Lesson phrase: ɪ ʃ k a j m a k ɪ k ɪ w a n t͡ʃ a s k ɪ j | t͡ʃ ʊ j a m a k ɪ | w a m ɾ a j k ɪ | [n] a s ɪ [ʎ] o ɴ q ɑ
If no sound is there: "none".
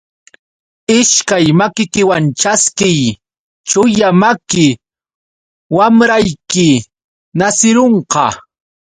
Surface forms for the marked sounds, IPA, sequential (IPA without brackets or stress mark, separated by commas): n, ɾ